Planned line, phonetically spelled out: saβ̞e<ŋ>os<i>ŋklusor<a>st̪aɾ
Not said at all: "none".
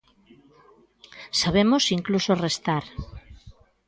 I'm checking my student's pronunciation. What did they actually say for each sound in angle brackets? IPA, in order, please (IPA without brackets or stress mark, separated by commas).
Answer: m, i, e